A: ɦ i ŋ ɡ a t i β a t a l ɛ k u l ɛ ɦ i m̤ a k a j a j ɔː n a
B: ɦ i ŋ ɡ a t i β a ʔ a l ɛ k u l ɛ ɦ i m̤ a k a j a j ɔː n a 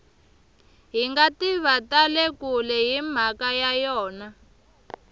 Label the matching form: A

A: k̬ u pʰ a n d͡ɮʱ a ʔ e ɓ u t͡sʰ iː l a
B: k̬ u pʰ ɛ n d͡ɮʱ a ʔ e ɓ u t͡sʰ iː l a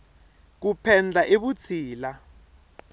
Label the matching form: B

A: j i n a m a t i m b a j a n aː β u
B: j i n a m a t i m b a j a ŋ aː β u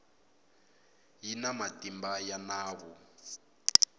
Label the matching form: A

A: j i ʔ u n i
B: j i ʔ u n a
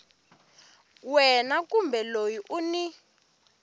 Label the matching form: A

